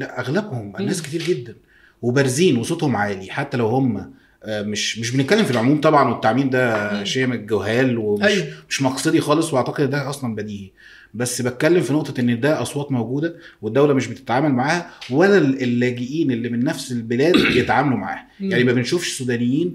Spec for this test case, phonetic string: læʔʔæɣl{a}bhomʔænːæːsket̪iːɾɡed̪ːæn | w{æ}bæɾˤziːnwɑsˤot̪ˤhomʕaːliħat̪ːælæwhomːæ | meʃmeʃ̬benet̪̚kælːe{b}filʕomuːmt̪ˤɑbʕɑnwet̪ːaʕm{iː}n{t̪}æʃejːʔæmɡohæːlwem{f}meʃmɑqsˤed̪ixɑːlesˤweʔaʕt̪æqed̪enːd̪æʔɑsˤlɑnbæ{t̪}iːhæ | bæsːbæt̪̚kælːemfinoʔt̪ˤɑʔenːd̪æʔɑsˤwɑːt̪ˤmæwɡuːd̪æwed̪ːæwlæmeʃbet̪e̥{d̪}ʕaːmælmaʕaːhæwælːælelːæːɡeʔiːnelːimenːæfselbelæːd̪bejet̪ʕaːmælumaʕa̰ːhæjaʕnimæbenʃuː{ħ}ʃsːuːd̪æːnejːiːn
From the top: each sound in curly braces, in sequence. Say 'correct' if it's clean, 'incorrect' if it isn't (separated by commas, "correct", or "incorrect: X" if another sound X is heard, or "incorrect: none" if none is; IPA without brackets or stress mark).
incorrect: æ, incorrect: e, incorrect: m, correct, incorrect: d̪, incorrect: ʃ, incorrect: d̪, incorrect: t̪, incorrect: f